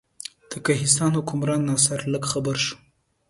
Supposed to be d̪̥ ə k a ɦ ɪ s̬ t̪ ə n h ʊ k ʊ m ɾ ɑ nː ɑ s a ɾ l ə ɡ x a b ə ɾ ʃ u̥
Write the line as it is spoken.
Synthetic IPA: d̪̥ ə k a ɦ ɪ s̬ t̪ ɑ n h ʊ k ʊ m ɾ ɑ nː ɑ s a ɾ l ə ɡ x a b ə ɾ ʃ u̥